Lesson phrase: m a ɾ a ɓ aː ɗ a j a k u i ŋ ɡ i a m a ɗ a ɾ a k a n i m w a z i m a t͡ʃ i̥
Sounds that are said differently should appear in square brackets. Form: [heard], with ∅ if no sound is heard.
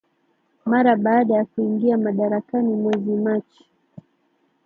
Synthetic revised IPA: m a ɾ a ɓ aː ɗ a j a k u i ŋ ɡ i a m a ɗ a ɾ a k a n i m w [ɛ] z i m a t͡ʃ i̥